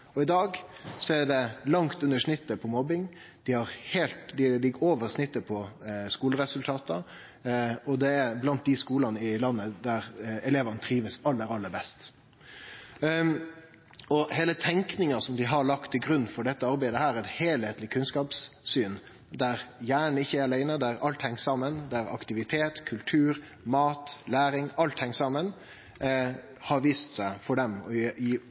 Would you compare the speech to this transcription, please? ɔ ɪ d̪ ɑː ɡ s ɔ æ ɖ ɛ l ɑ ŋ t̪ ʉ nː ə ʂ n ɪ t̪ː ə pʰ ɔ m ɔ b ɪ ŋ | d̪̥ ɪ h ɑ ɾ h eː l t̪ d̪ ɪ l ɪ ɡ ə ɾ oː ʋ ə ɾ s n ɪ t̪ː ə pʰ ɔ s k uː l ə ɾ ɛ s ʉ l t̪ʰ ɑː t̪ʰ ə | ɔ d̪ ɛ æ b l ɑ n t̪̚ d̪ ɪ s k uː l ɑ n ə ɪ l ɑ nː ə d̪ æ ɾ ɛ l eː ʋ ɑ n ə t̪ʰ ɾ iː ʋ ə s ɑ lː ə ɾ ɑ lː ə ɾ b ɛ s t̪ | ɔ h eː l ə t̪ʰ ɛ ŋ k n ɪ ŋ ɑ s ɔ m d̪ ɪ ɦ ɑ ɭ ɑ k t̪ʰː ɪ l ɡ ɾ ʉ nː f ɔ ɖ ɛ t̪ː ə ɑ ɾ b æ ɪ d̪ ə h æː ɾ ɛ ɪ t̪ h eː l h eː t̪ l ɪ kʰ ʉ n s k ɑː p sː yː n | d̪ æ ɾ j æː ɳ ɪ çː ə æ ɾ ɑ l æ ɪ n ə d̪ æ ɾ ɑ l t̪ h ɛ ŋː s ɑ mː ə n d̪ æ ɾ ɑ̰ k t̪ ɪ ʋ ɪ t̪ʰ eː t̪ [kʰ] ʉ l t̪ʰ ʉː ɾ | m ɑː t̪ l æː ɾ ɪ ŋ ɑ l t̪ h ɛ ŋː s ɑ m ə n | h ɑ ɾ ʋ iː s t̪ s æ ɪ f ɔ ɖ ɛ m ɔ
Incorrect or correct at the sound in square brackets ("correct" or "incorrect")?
correct